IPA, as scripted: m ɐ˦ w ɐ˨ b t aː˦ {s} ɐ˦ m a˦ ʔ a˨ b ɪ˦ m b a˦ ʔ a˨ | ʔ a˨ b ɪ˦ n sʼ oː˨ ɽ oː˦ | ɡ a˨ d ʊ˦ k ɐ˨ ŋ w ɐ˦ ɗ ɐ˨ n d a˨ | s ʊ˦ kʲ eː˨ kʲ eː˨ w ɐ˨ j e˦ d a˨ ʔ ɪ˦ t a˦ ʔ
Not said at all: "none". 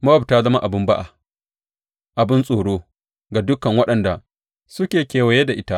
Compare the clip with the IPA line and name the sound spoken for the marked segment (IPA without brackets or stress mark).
z